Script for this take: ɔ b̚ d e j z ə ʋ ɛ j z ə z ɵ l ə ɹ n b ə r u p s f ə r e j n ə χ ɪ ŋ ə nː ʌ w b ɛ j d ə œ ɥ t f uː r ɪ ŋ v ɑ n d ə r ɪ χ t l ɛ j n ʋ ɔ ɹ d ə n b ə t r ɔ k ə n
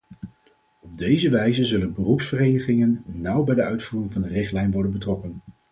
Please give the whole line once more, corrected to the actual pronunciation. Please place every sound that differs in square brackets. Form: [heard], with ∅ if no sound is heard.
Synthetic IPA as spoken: ɔ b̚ d e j z ə ʋ ɛ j z ə z ɵ l ə [∅] n b ə r u p s f ə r e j n ə χ ɪ ŋ ə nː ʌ w b ɛ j d ə œ ɥ t f uː r ɪ ŋ v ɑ n d ə r ɪ χ t l ɛ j n ʋ ɔ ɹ d ə n b ə t r ɔ k ə n